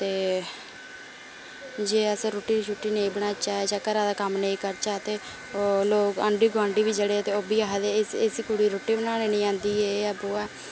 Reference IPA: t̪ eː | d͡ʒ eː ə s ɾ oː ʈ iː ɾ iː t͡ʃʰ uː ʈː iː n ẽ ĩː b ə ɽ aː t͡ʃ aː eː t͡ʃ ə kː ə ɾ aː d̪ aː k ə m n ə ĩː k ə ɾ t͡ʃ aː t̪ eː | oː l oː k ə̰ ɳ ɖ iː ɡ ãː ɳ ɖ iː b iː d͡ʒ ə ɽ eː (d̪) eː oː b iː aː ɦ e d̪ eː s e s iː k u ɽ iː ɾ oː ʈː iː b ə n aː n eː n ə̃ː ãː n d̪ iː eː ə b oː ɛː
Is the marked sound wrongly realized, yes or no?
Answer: yes